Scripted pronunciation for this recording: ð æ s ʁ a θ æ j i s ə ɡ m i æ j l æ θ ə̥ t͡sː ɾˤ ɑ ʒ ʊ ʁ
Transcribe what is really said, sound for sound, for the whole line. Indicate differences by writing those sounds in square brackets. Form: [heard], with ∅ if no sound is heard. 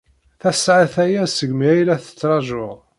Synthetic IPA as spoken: [θ] æ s [ʕ] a θ æ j [æ] s ə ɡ m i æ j l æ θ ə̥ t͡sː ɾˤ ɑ ʒ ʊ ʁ